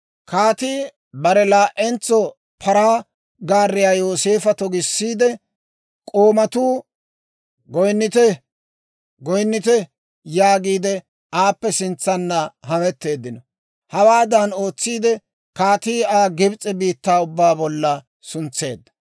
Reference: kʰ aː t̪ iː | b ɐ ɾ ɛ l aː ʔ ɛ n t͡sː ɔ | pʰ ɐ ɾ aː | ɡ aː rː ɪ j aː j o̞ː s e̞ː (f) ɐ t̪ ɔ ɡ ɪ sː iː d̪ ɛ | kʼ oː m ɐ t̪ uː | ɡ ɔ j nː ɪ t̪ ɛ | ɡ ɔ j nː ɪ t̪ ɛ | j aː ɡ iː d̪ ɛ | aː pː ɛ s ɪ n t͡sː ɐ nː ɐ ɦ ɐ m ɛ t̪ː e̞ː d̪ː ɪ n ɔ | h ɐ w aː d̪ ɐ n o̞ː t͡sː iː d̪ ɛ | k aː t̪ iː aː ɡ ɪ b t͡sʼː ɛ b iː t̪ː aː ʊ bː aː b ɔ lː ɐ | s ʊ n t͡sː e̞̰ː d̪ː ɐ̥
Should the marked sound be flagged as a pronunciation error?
no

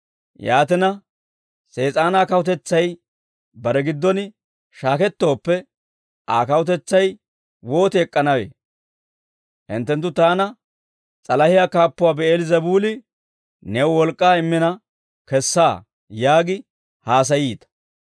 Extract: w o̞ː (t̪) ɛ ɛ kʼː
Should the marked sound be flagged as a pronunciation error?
no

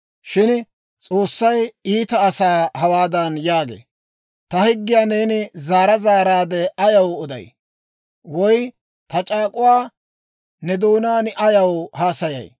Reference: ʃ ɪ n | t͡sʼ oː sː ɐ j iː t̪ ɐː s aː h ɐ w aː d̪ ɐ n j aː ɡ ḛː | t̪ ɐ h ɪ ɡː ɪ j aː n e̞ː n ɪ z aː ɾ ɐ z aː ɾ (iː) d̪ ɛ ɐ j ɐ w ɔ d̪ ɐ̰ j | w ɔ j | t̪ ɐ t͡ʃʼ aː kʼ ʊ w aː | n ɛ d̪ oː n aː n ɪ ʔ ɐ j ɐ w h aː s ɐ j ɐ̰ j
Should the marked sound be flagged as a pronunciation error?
yes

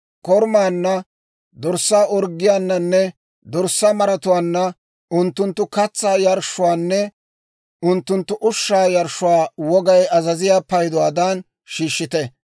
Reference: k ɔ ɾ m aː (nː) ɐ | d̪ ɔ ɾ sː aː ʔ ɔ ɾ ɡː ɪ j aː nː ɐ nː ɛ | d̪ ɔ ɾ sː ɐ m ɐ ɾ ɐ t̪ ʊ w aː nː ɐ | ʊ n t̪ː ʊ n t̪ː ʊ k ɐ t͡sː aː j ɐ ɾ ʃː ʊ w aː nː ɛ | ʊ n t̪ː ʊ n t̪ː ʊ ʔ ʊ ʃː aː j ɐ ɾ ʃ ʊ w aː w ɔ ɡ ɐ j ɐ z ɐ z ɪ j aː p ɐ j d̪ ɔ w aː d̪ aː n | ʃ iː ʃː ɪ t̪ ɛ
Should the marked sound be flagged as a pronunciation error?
no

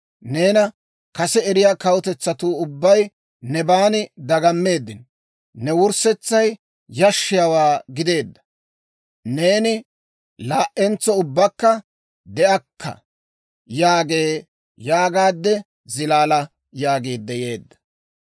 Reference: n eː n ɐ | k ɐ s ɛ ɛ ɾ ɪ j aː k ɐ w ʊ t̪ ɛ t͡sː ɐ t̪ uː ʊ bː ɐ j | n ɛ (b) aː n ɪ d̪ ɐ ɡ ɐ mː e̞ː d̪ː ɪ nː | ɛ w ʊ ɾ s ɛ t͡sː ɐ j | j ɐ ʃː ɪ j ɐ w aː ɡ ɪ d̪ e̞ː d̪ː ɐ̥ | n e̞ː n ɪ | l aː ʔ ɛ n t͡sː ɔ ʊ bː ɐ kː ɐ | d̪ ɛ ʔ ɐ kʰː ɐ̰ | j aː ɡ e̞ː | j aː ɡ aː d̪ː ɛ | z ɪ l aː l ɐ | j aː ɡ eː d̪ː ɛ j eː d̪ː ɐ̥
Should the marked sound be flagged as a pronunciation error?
no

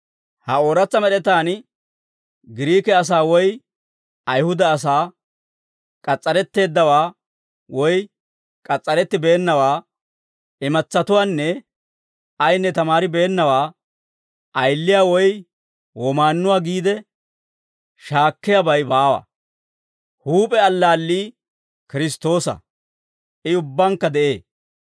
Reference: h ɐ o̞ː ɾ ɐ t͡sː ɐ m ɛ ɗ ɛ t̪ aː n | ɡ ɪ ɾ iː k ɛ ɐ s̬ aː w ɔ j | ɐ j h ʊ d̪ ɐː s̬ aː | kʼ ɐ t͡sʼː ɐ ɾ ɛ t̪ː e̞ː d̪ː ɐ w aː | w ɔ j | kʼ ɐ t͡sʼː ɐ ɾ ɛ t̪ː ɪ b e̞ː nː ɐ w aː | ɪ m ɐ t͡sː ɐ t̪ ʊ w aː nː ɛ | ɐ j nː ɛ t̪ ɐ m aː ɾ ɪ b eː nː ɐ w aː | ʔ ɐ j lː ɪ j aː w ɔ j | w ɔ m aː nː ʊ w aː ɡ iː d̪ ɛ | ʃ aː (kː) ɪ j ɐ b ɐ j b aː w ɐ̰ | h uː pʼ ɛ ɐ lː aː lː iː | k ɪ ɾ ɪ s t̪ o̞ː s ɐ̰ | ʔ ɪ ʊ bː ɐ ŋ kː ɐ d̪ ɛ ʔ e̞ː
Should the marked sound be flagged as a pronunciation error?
no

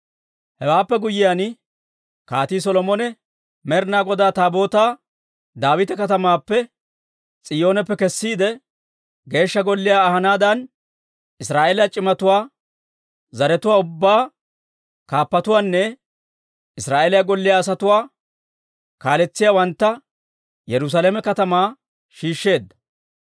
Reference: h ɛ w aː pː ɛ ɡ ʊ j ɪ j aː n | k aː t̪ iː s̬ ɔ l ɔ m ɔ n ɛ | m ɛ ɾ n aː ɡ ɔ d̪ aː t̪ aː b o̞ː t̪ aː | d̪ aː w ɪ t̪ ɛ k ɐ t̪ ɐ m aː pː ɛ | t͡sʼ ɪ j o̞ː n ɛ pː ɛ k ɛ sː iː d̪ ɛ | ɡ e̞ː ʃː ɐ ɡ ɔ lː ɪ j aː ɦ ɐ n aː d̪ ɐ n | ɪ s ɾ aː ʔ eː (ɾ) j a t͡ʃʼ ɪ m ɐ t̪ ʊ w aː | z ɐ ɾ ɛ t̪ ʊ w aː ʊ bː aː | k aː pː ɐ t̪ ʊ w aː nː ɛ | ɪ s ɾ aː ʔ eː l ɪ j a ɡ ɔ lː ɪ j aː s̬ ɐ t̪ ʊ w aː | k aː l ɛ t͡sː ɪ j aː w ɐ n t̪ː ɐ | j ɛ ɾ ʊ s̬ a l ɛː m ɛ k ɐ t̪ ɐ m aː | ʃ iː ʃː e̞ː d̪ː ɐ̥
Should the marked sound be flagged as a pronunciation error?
yes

